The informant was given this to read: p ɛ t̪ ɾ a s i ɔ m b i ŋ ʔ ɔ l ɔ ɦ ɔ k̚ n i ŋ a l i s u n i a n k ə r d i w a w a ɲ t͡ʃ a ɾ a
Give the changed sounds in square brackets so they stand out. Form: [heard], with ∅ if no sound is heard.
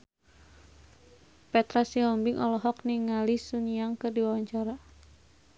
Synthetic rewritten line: p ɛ t̪ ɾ a s i ɔ m b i ŋ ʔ ɔ l ɔ ɦ ɔ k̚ n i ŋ a l i s u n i a [ŋ] k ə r d i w a w a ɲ t͡ʃ a ɾ a